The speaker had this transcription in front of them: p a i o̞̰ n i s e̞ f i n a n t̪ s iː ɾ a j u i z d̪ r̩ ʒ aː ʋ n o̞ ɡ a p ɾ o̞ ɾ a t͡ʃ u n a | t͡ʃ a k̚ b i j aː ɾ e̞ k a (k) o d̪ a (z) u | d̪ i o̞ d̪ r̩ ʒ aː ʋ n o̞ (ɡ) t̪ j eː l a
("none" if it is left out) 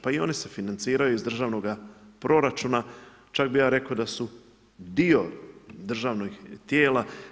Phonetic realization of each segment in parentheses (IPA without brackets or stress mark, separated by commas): none, s, ɡ